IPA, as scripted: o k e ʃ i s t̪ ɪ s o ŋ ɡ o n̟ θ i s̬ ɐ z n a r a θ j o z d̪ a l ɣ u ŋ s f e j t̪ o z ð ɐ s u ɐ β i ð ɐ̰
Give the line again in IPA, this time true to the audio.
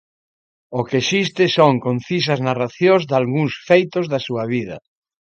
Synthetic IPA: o k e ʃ i s t̪ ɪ s o ŋ k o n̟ θ i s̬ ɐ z n a r a θ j o z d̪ a l ɣ u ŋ s f e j t̪ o z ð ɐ s u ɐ β i ð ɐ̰